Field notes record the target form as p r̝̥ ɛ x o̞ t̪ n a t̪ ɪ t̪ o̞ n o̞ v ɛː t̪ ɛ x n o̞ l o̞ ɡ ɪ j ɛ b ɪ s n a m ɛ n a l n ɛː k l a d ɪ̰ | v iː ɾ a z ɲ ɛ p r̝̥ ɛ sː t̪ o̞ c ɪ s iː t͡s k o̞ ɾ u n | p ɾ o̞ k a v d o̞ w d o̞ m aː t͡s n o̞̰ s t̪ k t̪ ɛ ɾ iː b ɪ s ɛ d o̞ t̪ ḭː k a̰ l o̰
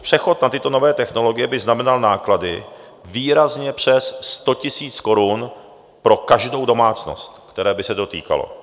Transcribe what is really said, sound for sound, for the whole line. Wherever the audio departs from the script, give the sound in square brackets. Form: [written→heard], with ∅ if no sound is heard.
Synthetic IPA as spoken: p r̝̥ ɛ x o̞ t̪ n a t̪ ɪ t̪ o̞ n o̞ v ɛː t̪ ɛ x n o̞ l o̞ ɡ ɪ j ɛ b ɪ [s→z] n a m ɛ n a l n [ɛː→aː] k l a d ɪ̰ | v iː ɾ a z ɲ ɛ p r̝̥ ɛ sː t̪ o̞ c ɪ s iː t͡s k o̞ ɾ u n | p ɾ o̞ k a [v→ʒ] d o̞ w d o̞ m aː t͡s n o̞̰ s t̪ k t̪ ɛ ɾ [iː→ɛː] b ɪ s ɛ d o̞ t̪ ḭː k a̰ l o̰

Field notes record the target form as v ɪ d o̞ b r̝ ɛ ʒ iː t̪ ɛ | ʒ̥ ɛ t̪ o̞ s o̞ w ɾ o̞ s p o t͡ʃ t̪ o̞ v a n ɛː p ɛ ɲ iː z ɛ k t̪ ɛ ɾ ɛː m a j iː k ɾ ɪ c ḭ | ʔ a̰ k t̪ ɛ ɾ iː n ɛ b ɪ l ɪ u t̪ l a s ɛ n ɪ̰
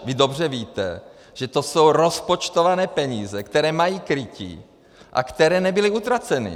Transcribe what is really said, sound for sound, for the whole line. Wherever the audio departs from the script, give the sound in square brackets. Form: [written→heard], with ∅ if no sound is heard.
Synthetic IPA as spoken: v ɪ d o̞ b r̝ ɛ [ʒ→v] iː t̪ ɛ | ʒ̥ ɛ t̪ o̞ s o̞ w ɾ o̞ s p o t͡ʃ t̪ o̞ v a n ɛː p ɛ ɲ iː z ɛ k t̪ ɛ ɾ ɛː m a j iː k ɾ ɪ c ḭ | ʔ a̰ k t̪ ɛ ɾ [iː→ɛː] n ɛ b ɪ l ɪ u t̪ [l→ɾ] a [s→t͡s] ɛ n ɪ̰

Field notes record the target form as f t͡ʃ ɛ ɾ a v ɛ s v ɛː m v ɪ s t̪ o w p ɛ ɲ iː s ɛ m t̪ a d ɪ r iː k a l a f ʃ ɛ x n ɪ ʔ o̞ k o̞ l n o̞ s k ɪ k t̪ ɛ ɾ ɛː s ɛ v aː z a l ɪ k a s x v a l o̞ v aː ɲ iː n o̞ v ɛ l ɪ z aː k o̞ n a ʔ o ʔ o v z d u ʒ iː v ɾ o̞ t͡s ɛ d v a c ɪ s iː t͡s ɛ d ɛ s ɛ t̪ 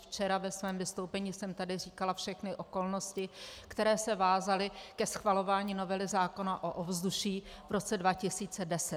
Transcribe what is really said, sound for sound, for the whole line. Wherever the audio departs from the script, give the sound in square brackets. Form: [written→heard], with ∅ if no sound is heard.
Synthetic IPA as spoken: f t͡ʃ ɛ ɾ a v ɛ s v ɛː m v ɪ s t̪ o w p ɛ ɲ iː s ɛ m t̪ a d ɪ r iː k a l a f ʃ ɛ x n ɪ ʔ o̞ k o̞ l n o̞ s [k→c] ɪ k t̪ ɛ ɾ ɛː s ɛ v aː z a l ɪ k [a→ɛ] s x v a l o̞ v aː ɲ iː n o̞ v ɛ l ɪ z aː k o̞ n a ʔ o ʔ o v z d u [ʒ→ʃ] iː v ɾ o̞ t͡s ɛ d v a c ɪ s iː t͡s ɛ d ɛ s ɛ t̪

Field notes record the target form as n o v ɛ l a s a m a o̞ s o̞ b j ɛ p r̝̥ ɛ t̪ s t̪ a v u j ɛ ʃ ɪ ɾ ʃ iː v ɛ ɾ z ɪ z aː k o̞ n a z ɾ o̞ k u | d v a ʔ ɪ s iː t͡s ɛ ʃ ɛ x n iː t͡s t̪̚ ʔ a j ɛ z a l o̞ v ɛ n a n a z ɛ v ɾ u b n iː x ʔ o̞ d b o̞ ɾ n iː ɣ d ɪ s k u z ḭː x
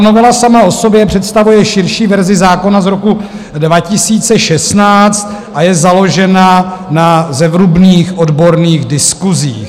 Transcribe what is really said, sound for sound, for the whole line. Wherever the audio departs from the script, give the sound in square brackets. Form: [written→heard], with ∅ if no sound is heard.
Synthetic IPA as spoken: n o v ɛ l a s a m a o̞ s o̞ b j ɛ p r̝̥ ɛ t̪ s t̪ a v u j ɛ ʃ ɪ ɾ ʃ iː v ɛ ɾ z ɪ z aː k o̞ n a z ɾ o̞ k u | d v a [ʔ→c] ɪ s iː t͡s ɛ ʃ ɛ [x→s] n [iː→aː] t͡s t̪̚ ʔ a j ɛ z a l o̞ [v→ʒ] ɛ n a n a z ɛ v ɾ u b n iː x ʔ o̞ d b o̞ ɾ n iː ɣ d ɪ s k u z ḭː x

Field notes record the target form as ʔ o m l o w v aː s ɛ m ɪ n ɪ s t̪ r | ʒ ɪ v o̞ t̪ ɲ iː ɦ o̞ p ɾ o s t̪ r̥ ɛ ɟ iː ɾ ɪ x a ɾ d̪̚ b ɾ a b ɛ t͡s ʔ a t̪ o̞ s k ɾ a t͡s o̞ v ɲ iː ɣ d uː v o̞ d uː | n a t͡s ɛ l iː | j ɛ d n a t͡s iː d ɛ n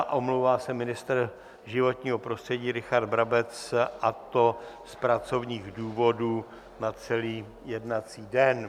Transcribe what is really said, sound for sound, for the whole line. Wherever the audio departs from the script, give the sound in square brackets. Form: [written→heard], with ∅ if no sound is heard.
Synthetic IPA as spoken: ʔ o m l o w v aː s ɛ m ɪ n ɪ s t̪ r | ʒ ɪ v o̞ t̪ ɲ iː ɦ o̞ p ɾ o s t̪ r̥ ɛ ɟ iː ɾ ɪ x a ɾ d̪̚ b ɾ a b ɛ t͡s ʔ a t̪ o̞ s [k→p] ɾ a t͡s o̞ v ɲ iː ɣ d uː v o̞ d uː | n a t͡s ɛ l iː | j ɛ d n a t͡s iː d ɛ n

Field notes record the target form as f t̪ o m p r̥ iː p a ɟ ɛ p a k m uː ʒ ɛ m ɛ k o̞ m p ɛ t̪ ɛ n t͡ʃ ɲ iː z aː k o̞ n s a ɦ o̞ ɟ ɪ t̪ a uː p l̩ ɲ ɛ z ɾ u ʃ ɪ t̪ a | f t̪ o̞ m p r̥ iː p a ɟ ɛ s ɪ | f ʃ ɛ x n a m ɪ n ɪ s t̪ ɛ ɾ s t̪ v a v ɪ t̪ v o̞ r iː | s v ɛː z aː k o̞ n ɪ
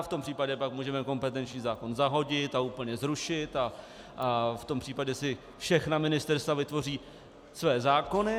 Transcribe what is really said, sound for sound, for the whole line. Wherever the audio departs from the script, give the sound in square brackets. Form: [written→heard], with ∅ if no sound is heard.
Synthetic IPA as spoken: f t̪ o m p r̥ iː p a ɟ ɛ p a k m uː ʒ ɛ m ɛ k o̞ m p ɛ t̪ ɛ n t͡ʃ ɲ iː z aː k o̞ n [s→z] a ɦ o̞ ɟ ɪ t̪ a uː p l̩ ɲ ɛ z ɾ u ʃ ɪ t̪ a | f t̪ o̞ m p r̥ iː p a ɟ ɛ s ɪ | f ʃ ɛ x n a m ɪ n ɪ s t̪ ɛ ɾ s t̪ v a v ɪ t̪ v o̞ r iː | s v ɛː z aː k o̞ n ɪ

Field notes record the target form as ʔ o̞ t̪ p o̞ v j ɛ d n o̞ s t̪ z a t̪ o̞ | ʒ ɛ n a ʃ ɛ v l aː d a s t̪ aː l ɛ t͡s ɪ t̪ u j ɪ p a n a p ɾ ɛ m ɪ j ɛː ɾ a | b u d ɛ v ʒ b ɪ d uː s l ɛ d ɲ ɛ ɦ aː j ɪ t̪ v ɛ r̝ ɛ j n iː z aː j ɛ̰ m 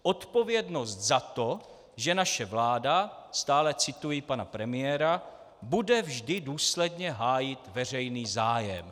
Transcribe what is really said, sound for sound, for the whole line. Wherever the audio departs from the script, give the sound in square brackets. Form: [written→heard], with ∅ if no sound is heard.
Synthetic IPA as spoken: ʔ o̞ t̪ p o̞ v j ɛ d n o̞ s t̪ z a t̪ o̞ | ʒ ɛ n a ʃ ɛ v l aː d a s t̪ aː l ɛ t͡s ɪ t̪ u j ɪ p a n a p ɾ ɛ m ɪ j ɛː ɾ a | b u d ɛ v ʒ [b→d] ɪ d uː s l ɛ d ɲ ɛ ɦ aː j ɪ t̪ v ɛ r̝ ɛ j n iː z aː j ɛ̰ m

